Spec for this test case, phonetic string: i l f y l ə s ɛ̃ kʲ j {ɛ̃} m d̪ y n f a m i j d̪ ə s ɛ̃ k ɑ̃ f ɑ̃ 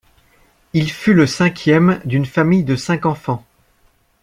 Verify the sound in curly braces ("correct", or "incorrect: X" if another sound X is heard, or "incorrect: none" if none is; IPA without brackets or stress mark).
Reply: incorrect: ɛ